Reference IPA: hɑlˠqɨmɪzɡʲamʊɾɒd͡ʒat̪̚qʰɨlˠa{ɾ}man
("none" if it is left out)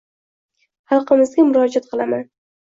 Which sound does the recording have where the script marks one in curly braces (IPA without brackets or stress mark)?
none